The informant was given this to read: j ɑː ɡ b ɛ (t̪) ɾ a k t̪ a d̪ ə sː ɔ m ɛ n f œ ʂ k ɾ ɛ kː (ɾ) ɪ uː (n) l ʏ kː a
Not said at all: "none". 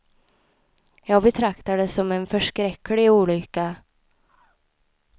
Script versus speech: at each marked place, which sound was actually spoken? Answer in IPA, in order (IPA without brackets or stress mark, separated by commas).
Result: t̪ʰ, l, none